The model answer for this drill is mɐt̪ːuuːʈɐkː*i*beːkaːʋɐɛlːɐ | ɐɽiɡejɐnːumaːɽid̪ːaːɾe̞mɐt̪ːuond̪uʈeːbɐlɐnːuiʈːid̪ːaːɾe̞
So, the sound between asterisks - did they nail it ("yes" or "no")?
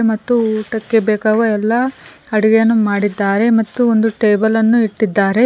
no